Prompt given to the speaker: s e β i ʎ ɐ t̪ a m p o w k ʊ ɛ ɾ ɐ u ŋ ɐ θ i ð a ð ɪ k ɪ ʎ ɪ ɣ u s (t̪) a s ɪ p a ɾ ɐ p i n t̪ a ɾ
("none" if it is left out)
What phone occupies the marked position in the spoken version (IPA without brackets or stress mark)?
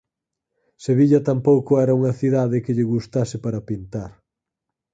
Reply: t̪